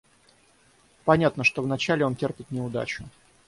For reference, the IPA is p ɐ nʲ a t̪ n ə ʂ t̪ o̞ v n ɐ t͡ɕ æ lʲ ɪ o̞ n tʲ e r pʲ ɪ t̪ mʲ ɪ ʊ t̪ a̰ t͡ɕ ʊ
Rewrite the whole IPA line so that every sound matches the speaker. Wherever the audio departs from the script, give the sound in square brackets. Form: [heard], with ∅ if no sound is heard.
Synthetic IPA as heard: p ɐ nʲ a t̪ n ə ʂ t̪ o̞ v n ɐ t͡ɕ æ lʲ ɪ o̞ n tʲ e r pʲ ɪ t̪ [nʲ] ɪ ʊ [d̪] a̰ t͡ɕ ʊ